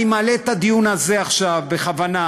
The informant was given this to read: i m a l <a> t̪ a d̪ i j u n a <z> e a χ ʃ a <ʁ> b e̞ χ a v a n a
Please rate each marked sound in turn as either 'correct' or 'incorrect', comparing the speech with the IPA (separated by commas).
incorrect, correct, incorrect